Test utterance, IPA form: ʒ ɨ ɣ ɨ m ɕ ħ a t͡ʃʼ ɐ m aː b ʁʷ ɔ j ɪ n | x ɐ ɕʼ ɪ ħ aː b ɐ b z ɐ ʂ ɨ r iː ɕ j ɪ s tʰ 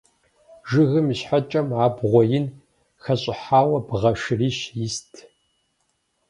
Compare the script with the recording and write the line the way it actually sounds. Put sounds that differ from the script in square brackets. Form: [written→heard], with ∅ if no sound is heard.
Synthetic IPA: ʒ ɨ ɣ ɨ m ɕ ħ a t͡ʃʼ ɐ m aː b ʁʷ ɔ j ɪ n | x ɐ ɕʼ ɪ ħ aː [b→w] ɐ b [z→ʁ] ɐ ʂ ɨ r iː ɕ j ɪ s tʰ

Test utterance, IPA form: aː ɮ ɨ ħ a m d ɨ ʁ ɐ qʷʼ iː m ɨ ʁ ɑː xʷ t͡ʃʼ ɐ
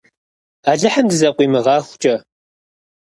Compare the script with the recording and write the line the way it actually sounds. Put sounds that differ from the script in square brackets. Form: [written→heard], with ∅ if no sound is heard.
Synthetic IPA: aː ɮ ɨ ħ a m d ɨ [ʁ→z] ɐ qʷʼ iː m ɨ ʁ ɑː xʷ t͡ʃʼ ɐ

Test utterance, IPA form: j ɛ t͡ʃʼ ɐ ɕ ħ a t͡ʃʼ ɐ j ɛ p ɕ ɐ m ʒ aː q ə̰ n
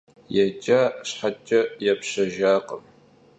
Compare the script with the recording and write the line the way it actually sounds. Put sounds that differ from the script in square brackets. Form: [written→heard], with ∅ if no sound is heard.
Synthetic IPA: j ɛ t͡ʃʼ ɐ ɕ ħ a t͡ʃʼ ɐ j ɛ p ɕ ɐ [m→∅] ʒ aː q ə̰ [n→m]

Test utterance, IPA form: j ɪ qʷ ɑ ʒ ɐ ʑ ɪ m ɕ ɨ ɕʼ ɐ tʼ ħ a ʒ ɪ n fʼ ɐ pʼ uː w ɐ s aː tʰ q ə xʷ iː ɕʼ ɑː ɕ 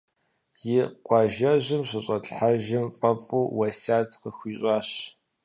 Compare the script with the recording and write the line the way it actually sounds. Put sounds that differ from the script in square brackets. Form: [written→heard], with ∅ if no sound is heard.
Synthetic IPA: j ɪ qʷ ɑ ʒ ɐ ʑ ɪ m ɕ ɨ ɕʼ ɐ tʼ ħ a ʒ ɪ [n→m] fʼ ɐ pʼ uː w ɐ s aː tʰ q ə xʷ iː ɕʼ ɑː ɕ

